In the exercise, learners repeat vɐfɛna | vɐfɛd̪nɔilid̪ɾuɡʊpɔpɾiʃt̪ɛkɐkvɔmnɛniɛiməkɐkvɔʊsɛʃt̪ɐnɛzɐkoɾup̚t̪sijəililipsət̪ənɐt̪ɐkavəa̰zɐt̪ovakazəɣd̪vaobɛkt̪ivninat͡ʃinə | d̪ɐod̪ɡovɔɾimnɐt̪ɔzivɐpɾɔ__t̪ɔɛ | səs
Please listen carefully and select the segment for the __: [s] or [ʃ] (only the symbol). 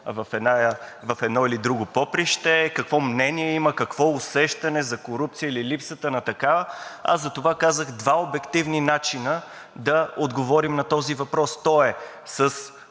s